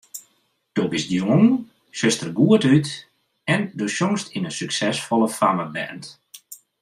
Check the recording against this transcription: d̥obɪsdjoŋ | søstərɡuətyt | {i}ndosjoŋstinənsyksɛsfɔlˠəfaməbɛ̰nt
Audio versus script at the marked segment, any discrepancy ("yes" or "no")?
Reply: yes